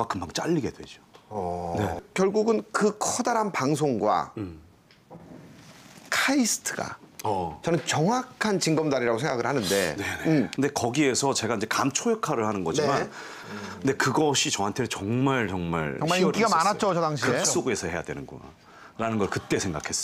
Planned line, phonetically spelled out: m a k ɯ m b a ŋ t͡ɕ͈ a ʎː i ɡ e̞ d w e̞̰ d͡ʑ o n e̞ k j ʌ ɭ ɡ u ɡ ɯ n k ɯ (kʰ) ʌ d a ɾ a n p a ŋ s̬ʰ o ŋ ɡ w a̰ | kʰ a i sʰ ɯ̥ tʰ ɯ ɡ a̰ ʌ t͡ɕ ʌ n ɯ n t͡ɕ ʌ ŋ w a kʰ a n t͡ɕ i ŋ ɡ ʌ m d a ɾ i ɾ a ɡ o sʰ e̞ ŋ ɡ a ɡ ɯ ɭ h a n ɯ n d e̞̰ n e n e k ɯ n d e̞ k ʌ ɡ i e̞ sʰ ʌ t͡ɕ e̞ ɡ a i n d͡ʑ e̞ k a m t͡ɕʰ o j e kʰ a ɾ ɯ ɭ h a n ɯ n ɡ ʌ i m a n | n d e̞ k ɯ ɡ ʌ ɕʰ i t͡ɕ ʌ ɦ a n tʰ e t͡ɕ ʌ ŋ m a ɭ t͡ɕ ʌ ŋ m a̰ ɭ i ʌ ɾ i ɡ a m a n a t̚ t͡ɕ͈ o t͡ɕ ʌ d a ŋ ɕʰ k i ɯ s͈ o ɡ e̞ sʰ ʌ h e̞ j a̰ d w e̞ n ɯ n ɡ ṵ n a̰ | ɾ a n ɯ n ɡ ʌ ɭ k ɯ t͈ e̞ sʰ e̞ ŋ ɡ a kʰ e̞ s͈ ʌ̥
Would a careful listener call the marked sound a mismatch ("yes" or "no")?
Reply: no